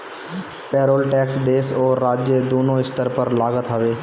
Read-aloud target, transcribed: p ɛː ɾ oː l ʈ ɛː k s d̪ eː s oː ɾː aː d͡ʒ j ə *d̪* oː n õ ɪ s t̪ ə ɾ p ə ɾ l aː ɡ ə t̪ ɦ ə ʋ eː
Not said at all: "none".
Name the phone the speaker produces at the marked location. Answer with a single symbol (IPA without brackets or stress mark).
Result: d̪